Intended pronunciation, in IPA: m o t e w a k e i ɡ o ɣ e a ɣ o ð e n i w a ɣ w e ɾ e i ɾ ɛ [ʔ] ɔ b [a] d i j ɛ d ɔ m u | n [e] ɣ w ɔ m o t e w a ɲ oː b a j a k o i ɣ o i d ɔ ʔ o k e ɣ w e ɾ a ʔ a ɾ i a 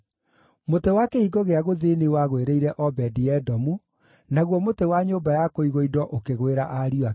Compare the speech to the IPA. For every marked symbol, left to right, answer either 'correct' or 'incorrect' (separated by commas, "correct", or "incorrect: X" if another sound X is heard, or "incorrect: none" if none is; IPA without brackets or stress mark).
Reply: correct, incorrect: ɛ, incorrect: a